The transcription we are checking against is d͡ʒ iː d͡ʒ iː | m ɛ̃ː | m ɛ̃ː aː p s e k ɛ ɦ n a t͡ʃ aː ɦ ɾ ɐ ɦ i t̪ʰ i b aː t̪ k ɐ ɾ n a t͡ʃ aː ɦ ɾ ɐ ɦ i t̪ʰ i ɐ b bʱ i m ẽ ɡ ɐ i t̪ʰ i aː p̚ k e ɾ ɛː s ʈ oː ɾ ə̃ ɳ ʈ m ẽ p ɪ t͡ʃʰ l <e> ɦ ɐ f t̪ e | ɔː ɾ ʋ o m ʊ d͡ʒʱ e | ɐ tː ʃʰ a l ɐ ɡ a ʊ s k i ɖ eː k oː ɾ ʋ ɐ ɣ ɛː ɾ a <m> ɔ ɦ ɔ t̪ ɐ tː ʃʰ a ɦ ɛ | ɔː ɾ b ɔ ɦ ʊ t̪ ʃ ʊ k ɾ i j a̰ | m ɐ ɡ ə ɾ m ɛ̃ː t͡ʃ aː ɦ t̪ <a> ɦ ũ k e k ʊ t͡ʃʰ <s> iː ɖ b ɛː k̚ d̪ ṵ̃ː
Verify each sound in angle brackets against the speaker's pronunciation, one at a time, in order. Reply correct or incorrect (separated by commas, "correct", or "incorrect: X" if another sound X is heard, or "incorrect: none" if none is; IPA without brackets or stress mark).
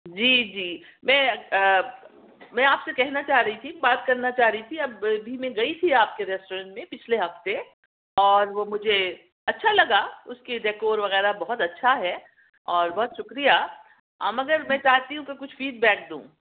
correct, incorrect: b, incorrect: i, incorrect: f